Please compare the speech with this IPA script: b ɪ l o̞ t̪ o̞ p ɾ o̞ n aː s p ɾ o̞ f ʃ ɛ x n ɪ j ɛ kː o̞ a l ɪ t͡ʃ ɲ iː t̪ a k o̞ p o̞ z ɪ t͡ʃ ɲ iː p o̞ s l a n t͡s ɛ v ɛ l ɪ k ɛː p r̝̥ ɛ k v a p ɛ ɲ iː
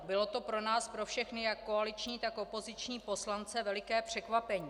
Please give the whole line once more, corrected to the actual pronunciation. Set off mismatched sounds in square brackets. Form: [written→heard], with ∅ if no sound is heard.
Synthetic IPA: b ɪ l o̞ t̪ o̞ p ɾ o̞ n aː s p ɾ o̞ f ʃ ɛ x n ɪ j [ɛ→a] kː o̞ a l ɪ t͡ʃ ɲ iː t̪ a k o̞ p o̞ z ɪ t͡ʃ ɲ iː p o̞ s l a n t͡s ɛ v ɛ l ɪ k ɛː p r̝̥ ɛ k v a p ɛ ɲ iː